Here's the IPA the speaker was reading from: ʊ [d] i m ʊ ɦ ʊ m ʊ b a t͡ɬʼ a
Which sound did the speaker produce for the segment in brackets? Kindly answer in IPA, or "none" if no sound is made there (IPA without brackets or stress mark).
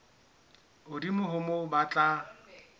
d